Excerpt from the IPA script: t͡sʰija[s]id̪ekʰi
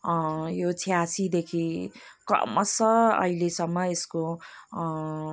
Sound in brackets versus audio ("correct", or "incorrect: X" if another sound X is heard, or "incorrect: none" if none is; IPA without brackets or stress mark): correct